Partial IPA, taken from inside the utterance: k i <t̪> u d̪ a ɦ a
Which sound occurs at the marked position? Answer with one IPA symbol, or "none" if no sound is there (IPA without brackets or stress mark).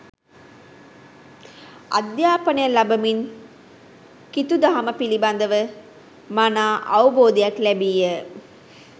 t̪